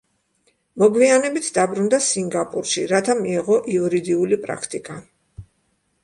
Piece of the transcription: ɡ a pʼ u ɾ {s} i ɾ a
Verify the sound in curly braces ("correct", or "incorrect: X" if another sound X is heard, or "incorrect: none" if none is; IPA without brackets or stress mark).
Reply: incorrect: ʃ